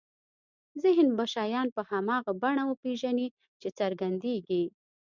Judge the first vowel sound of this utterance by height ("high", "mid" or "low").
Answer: high